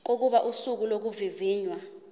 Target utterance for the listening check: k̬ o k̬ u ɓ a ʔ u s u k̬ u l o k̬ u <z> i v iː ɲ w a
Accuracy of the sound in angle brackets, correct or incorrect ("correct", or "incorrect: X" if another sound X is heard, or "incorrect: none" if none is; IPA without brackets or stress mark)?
incorrect: v